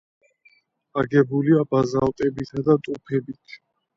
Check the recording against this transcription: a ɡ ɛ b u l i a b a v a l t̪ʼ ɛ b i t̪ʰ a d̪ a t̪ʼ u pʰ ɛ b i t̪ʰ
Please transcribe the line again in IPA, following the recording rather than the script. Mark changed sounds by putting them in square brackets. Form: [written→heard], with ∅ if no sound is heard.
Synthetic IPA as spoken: a ɡ ɛ b u l i a b a [v→z] a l t̪ʼ ɛ b i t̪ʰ a d̪ a t̪ʼ u pʰ ɛ b i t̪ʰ